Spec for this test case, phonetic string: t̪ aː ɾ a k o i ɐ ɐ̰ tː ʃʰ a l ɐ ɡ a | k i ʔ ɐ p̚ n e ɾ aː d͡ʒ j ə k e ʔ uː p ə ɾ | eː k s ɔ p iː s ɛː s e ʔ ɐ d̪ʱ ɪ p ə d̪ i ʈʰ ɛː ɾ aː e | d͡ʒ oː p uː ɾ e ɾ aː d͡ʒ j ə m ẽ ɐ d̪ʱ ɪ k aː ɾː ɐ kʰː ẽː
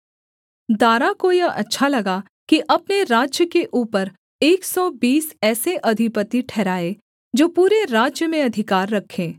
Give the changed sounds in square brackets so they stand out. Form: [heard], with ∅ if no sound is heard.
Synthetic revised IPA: [d̪] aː ɾ a k o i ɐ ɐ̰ tː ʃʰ a l ɐ ɡ a | k i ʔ ɐ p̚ n e ɾ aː d͡ʒ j ə k e ʔ uː p ə ɾ | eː k s ɔ [b] iː s ɛː s e ʔ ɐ d̪ʱ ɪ p ə [t̪] i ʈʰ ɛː ɾ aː e | d͡ʒ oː p uː ɾ e ɾ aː d͡ʒ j ə m ẽ ɐ d̪ʱ ɪ k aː ɾː ɐ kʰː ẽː